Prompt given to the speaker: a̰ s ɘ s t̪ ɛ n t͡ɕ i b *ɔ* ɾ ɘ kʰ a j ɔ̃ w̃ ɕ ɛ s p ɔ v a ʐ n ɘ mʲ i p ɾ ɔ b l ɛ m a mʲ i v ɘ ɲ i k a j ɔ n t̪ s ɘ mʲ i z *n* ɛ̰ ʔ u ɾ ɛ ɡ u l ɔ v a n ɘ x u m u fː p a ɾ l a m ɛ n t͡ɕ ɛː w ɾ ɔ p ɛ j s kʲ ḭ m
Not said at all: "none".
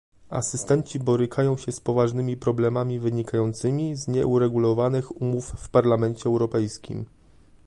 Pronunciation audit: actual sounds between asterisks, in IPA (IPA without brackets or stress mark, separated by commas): ɔ, ɲ